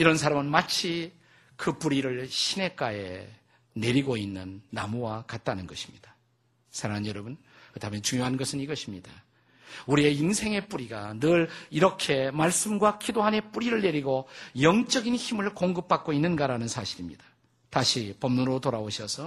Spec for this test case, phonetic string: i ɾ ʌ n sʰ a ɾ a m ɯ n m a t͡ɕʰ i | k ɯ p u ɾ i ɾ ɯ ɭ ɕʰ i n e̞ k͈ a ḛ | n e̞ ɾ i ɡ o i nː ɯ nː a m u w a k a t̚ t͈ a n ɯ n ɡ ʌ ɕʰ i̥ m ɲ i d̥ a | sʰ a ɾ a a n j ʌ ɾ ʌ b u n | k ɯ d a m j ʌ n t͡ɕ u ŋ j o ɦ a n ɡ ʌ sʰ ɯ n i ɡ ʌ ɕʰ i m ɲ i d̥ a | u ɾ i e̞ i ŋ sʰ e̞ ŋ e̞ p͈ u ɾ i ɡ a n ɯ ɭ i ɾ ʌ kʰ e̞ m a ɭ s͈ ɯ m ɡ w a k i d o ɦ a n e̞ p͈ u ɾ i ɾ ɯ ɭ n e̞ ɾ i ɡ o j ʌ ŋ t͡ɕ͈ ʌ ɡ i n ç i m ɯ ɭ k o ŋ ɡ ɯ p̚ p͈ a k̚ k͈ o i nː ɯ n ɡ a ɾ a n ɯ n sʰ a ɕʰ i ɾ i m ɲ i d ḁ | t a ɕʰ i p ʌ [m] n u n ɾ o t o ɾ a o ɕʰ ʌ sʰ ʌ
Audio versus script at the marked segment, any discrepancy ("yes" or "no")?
no